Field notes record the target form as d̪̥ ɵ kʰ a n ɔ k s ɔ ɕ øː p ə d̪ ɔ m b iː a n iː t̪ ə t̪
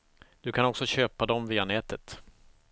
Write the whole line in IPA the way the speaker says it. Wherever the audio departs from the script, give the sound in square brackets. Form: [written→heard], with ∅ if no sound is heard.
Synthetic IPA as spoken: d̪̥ ɵ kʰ a n ɔ k s ɔ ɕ øː p [ə→a] d̪ ɔ m [b→v] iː a n [iː→ɛː] t̪ ə t̪